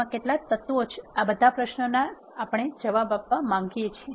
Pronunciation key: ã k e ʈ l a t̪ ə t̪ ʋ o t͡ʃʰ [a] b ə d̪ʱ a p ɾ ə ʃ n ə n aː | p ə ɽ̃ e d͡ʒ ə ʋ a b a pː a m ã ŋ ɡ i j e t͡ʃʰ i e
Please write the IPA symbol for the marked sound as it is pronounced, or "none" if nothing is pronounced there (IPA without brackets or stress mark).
a